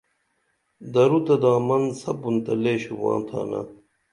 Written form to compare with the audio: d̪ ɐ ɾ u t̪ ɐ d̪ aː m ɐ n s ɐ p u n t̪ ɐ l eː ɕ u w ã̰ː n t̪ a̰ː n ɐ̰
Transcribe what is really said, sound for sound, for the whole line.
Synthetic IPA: d̪ ɐ ɾ u t̪ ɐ d̪ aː m ɐ n s ɐ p u n t̪ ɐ l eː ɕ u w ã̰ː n t̪ʰ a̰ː n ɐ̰

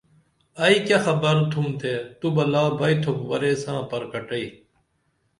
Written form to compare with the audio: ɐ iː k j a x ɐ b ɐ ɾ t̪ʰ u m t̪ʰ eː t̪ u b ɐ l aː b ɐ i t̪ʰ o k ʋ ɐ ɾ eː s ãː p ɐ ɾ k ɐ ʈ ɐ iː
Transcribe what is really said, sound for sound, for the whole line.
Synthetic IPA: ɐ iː k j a x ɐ b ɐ ɾ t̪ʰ u m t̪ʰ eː t̪ u b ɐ l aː b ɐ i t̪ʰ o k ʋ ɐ ɾ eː s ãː p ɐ ɾ k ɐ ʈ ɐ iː

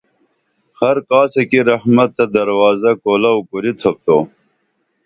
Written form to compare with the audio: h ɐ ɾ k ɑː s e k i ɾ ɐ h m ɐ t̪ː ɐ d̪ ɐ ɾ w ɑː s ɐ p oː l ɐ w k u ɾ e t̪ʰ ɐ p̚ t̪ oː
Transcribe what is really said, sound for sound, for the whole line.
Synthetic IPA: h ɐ ɾ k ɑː s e k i ɾ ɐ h m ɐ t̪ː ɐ d̪ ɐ ɾ w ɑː z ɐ k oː l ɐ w k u ɾ i t̪ʰ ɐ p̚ t̪ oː

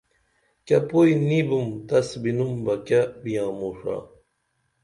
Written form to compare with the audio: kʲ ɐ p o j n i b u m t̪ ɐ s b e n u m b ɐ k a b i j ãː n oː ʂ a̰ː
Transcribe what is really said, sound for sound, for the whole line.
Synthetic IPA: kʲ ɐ p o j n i b u m t̪ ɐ s b i n u m b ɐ k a b i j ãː m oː ʂ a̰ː

